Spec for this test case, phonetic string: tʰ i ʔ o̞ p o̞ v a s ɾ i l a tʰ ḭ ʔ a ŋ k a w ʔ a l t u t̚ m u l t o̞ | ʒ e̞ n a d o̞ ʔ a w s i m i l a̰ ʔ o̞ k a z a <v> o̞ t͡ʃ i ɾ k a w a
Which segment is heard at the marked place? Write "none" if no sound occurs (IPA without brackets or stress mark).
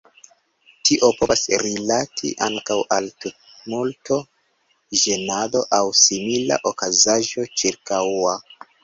ʒ